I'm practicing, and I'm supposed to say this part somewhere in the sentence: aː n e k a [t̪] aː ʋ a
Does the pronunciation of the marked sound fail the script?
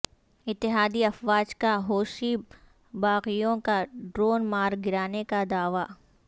yes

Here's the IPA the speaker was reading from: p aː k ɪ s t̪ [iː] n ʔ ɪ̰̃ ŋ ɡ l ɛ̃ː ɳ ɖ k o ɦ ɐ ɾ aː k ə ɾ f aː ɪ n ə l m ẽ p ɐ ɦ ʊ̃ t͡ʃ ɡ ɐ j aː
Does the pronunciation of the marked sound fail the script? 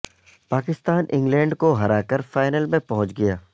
yes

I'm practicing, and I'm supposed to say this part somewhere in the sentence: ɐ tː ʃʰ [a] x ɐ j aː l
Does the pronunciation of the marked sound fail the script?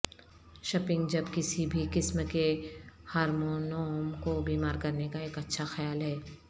no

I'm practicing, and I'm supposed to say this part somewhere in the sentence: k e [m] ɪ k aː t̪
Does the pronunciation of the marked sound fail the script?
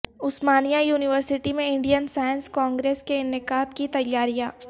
yes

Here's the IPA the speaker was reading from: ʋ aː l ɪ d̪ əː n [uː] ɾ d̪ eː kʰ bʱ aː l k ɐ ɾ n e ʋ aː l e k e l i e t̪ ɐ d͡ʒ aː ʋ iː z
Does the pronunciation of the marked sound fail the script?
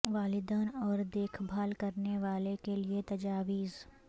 yes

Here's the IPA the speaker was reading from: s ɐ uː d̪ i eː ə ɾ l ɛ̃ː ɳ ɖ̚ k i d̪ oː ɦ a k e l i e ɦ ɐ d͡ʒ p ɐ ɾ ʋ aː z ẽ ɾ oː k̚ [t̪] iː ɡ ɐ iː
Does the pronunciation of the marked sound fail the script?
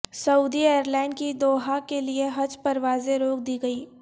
yes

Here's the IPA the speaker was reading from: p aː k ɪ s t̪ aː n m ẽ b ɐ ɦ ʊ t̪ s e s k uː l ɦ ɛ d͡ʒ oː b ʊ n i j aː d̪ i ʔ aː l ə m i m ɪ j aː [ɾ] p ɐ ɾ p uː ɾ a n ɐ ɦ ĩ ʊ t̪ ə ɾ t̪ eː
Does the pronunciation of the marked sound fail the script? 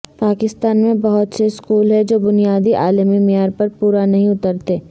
no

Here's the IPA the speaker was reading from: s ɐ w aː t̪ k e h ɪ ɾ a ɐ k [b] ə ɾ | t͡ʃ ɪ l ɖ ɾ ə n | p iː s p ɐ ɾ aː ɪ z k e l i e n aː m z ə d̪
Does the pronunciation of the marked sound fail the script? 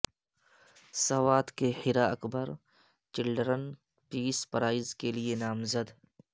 no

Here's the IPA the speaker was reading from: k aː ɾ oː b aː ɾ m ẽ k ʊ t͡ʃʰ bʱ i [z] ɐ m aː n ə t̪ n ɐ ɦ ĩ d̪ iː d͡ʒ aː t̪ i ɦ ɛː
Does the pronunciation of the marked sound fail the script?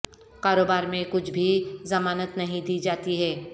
no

